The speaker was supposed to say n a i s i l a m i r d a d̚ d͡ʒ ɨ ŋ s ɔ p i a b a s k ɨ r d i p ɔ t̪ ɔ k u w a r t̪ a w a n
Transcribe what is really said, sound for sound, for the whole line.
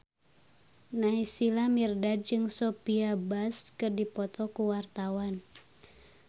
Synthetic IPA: n a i s i l a m i r d a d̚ d͡ʒ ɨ ŋ s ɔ p i a b a s k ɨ r d i p ɔ t̪ ɔ k u w a r t̪ a w a n

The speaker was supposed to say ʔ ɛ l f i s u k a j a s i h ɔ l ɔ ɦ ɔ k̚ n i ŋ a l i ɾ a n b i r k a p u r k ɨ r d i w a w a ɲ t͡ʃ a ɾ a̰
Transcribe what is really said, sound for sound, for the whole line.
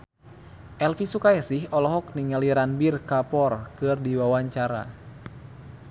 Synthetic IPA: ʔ ɛ l f i s u k a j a s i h ɔ l ɔ ɦ ɔ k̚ n i ŋ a l i ɾ a n b i r k a p ɔ r k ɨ r d i w a w a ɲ t͡ʃ a ɾ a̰

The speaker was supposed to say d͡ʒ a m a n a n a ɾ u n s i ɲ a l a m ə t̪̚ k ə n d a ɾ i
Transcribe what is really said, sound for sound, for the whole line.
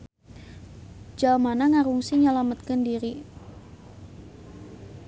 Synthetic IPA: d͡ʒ a m a n a ŋ a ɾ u ŋ s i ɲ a l a m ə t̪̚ k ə n d i ɾ i

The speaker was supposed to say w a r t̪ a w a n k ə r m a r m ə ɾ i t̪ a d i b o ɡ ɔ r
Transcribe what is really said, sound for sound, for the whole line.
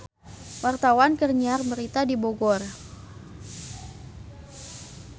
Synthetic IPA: w a r t̪ a w a n k ə r ɲ a r m ə ɾ i t̪ a d i b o ɡ ɔ r

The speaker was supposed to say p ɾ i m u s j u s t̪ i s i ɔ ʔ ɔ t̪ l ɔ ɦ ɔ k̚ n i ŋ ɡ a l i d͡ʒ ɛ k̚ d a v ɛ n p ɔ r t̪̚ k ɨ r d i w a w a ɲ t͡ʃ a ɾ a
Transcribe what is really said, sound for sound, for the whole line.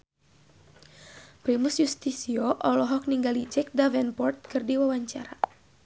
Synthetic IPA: p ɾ i m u s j u s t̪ i s i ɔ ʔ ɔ l ɔ ɦ ɔ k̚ n i ŋ ɡ a l i d͡ʒ ɛ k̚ d a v ɛ n p ɔ r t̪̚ k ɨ r d i w a w a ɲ t͡ʃ a ɾ a

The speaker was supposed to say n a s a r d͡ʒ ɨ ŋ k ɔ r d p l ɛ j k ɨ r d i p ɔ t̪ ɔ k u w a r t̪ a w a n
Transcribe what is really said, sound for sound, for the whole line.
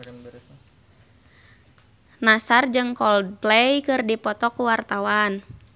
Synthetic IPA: n a s a r d͡ʒ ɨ ŋ k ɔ l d p l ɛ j k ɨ r d i p ɔ t̪ ɔ k u w a r t̪ a w a n

